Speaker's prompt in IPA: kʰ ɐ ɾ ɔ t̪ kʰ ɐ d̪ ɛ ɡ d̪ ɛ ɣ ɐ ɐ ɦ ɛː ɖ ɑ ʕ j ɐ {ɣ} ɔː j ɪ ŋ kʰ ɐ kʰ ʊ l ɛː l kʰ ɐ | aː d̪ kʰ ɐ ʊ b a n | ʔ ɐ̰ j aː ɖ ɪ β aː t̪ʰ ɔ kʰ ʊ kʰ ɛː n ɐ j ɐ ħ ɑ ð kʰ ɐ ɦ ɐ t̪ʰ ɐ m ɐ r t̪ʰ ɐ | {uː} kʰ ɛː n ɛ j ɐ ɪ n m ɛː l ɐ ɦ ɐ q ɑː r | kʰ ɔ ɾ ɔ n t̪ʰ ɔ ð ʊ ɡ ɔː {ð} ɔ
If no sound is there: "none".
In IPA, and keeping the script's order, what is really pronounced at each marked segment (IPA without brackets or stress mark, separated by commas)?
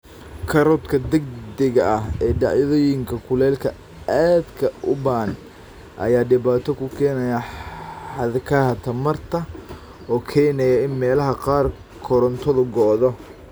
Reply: ð, ɔː, ð